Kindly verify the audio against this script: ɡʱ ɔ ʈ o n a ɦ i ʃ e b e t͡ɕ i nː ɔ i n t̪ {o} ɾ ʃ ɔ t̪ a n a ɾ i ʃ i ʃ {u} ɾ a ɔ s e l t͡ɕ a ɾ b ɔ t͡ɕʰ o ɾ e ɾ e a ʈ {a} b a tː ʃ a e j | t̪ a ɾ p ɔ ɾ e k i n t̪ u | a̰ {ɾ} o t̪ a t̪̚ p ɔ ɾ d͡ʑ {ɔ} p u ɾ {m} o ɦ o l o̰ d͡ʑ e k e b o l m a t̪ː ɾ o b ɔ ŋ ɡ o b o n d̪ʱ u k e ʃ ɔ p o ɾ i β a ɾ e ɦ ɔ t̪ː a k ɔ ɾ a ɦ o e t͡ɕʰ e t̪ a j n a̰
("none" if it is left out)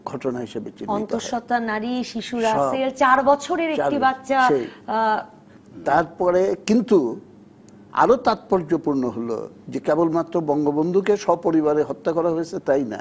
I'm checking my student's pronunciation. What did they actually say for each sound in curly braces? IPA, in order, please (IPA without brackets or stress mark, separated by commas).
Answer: o, u, i, ɾ, o, n